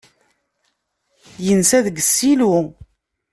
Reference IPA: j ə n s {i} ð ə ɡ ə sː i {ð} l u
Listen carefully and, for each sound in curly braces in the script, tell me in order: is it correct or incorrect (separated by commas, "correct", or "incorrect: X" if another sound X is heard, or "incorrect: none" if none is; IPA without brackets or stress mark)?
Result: incorrect: æ, incorrect: none